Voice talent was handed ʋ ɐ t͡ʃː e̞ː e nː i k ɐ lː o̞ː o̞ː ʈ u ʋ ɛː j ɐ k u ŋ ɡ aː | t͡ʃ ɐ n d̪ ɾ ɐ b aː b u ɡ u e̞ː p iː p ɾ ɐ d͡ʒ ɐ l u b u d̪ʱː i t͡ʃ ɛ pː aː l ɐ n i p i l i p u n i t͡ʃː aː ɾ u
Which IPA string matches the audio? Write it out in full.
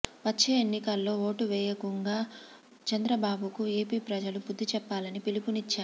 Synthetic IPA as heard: ʋ ɐ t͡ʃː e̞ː e nː i k ɐ lː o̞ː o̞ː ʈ u ʋ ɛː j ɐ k u ŋ ɡ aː | t͡ʃ ɐ n d̪ ɾ ɐ b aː b u k u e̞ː p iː p ɾ ɐ d͡ʒ ɐ l u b u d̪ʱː i t͡ʃ ɛ pː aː l ɐ n i p i l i p u n i t͡ʃː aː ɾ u